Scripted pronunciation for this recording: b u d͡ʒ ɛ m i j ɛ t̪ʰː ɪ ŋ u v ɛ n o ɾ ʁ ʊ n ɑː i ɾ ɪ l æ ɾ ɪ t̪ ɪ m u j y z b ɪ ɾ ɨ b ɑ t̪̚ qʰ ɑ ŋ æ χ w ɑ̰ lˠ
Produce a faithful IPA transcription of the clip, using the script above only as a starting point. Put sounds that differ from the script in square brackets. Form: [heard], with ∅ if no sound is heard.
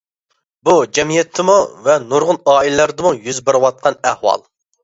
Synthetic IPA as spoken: b u d͡ʒ ɛ m i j ɛ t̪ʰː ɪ [m] u v ɛ n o ɾ ʁ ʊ n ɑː i [l] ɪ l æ ɾ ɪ [d̪] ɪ m u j y z b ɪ ɾ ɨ [w] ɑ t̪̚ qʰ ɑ [n] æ [h] w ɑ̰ lˠ